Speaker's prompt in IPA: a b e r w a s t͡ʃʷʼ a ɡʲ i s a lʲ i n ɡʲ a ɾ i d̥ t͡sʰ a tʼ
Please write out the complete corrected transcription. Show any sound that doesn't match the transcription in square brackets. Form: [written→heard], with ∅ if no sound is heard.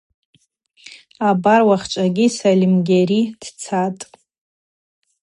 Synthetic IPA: a b [e→a] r w a [s→χ] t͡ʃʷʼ a ɡʲ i s a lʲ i [n→m] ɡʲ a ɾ i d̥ t͡sʰ a tʼ